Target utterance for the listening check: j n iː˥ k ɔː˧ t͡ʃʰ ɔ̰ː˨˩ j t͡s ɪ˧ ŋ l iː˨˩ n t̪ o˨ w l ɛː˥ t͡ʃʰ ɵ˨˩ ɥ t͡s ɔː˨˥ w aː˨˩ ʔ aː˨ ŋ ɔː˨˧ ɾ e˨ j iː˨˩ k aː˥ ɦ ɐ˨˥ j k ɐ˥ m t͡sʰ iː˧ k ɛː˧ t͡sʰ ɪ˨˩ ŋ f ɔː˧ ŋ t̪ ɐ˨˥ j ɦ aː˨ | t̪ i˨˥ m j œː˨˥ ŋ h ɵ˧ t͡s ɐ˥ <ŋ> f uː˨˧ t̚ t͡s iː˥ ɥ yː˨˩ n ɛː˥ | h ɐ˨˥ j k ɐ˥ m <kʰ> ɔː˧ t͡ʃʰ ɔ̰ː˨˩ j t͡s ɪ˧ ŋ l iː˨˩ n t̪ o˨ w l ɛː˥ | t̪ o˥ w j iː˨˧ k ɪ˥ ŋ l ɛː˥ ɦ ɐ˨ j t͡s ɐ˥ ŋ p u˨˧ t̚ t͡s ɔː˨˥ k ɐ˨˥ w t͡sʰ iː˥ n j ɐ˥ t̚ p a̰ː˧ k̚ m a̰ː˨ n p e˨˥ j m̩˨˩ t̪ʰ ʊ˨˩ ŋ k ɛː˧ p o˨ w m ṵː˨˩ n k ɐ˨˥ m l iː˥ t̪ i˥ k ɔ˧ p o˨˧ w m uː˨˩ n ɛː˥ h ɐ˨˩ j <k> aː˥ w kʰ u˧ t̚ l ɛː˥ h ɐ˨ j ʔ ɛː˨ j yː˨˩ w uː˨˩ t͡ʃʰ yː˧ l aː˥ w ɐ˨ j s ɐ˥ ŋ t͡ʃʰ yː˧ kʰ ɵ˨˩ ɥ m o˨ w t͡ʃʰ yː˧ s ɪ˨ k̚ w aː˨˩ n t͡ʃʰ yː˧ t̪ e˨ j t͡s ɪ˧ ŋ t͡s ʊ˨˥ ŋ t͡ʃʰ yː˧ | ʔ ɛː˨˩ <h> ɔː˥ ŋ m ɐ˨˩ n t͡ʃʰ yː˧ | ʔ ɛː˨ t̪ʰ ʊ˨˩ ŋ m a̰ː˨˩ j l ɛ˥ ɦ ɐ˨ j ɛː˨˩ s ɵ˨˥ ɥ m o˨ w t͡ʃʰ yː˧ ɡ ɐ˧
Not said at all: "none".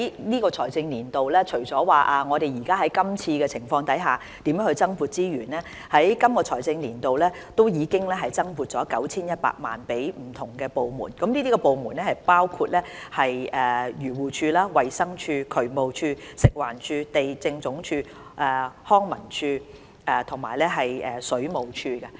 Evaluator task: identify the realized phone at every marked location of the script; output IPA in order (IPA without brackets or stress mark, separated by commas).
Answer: ŋ, k, p, h